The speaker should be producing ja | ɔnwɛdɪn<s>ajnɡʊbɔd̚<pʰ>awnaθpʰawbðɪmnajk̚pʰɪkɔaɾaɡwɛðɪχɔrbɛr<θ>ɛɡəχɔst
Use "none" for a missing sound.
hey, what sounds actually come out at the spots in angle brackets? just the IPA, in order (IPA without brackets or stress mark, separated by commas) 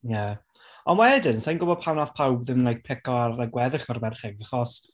s, pʰ, χ